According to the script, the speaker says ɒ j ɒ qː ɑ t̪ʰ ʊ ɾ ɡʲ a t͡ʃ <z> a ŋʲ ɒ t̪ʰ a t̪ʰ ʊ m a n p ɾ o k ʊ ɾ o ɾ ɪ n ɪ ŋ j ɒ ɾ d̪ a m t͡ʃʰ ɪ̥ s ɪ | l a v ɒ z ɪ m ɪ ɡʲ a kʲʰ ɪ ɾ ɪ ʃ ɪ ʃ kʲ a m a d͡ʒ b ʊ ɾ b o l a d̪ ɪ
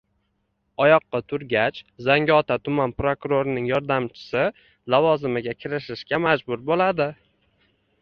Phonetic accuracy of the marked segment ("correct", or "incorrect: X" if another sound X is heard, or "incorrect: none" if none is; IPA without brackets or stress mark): correct